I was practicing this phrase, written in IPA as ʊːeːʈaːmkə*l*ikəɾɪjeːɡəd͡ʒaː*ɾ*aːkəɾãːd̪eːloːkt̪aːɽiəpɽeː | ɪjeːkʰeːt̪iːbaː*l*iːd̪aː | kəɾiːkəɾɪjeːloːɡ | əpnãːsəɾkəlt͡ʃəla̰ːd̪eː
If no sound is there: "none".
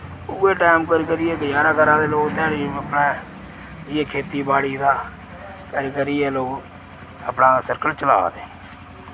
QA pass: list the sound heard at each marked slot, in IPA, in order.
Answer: ɾ, ɾ, ɽ

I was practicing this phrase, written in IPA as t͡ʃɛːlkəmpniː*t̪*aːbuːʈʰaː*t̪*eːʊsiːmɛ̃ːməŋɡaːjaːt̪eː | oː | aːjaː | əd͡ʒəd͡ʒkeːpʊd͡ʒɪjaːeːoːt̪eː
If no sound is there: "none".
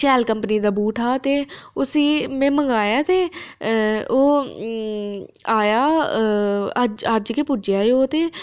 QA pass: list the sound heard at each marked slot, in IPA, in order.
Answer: d̪, t̪

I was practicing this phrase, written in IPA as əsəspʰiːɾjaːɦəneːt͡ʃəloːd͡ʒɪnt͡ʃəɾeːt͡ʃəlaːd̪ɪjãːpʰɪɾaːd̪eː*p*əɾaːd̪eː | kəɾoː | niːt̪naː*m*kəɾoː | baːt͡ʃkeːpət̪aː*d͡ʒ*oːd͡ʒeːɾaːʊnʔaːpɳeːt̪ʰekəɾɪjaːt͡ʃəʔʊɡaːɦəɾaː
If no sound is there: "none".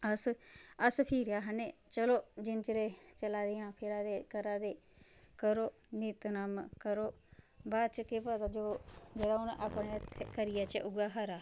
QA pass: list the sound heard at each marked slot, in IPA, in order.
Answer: k, m, d͡ʒ

